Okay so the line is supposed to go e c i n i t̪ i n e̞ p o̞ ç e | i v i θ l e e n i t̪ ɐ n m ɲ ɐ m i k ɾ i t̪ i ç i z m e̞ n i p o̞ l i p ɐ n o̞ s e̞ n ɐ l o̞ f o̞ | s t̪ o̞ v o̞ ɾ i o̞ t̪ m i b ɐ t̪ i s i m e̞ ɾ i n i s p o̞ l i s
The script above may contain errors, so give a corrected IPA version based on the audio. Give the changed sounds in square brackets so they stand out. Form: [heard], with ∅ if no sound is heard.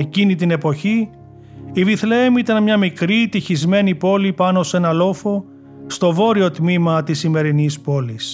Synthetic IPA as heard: e c i n i t̪ i n e̞ p o̞ ç [i] | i v i θ l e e [m] i t̪ ɐ n m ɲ ɐ m i k ɾ i t̪ i ç i z m e̞ n i p o̞ l i p ɐ n o̞ s e̞ n ɐ l o̞ f o̞ | s t̪ o̞ v o̞ ɾ i o̞ t̪ m i [m] ɐ t̪ i s i m e̞ ɾ i n i s p o̞ l i s